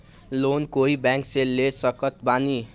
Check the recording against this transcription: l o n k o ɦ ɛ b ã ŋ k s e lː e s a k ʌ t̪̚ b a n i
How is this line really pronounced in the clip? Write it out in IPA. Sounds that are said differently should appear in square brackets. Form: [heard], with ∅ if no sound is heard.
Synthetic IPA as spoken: l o n k o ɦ [i] b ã ŋ k s e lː e s [ʌ] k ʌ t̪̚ b a n i